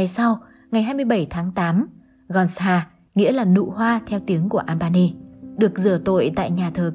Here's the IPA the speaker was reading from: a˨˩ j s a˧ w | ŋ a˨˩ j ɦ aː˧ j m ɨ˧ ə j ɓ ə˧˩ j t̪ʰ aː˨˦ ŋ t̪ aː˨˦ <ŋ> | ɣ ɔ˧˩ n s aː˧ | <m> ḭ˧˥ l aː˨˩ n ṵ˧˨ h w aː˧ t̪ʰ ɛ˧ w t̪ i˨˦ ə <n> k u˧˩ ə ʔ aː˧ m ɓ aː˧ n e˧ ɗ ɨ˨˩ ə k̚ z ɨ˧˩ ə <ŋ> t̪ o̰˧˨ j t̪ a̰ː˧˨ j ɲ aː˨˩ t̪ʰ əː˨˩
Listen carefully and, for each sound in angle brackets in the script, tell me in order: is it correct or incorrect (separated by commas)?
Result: incorrect, incorrect, incorrect, incorrect